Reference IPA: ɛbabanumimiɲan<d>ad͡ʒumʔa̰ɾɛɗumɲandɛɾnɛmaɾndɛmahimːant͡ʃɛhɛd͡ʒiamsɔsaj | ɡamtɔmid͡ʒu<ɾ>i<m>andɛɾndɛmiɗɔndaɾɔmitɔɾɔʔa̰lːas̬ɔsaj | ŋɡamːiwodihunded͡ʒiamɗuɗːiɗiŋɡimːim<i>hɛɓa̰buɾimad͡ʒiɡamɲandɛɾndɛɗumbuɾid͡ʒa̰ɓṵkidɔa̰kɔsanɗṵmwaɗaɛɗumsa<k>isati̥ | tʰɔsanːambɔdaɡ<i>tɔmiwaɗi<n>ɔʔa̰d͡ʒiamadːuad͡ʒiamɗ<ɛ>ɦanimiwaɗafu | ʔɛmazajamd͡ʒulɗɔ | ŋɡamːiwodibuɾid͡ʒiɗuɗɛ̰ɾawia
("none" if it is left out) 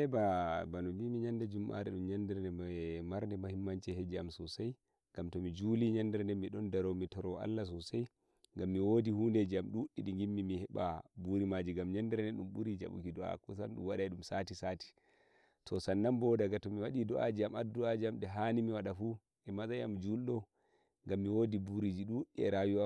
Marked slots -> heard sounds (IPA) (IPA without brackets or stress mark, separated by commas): d, l, ɲ, i, t, a, d, ɛ